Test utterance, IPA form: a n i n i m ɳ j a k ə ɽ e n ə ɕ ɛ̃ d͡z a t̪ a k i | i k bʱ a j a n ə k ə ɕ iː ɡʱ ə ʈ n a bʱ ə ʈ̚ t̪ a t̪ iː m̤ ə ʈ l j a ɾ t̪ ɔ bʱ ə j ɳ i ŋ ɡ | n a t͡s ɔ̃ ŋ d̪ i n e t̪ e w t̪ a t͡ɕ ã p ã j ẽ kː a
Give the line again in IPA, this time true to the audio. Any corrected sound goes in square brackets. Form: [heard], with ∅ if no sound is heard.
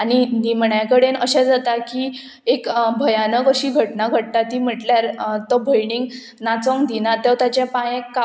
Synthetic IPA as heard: a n i n i m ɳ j a k ə ɽ e n ə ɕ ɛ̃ d͡z a t̪ a k i | [e] k bʱ [ə] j a n ə k ə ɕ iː ɡʱ ə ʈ n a [ɡʱ] ə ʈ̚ t̪ a t̪ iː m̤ ə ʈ l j a ɾ t̪ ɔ bʱ ə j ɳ i ŋ ɡ | n a t͡s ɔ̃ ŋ d̪ i n [a] t̪ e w t̪ a t͡ɕ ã p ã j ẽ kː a